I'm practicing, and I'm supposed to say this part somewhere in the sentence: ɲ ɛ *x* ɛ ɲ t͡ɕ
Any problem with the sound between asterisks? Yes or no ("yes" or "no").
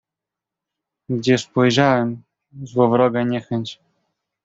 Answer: no